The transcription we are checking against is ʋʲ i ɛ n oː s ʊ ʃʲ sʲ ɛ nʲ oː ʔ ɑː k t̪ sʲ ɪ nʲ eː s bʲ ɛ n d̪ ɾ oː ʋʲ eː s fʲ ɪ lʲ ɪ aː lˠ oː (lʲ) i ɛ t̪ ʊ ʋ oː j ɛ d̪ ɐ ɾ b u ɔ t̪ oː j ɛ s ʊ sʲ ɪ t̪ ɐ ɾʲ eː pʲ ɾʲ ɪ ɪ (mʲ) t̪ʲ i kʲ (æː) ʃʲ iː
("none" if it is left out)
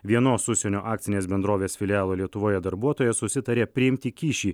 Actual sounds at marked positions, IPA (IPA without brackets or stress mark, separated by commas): lʲ, mʲ, iː